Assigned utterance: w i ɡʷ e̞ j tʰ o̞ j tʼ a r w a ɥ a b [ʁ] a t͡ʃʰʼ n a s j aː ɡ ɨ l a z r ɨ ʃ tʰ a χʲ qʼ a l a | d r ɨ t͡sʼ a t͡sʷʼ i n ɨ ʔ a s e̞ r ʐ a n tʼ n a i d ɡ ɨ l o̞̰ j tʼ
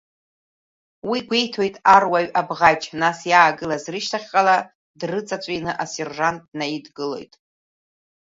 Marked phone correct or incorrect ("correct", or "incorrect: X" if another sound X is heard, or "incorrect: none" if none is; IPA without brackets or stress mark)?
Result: correct